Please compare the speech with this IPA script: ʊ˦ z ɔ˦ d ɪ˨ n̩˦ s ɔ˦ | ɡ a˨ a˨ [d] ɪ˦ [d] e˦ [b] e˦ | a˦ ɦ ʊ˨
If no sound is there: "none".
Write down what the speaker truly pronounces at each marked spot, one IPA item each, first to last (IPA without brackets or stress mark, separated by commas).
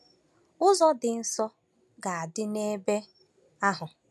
d, n, b